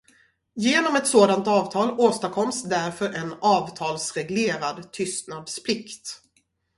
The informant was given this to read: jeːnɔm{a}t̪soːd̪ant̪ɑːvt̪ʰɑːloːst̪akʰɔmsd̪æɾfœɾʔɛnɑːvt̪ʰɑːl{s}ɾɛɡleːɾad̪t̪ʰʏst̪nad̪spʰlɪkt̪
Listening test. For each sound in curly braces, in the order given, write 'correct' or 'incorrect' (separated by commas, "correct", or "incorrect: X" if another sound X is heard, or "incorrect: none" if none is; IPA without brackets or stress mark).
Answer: incorrect: ɛ, correct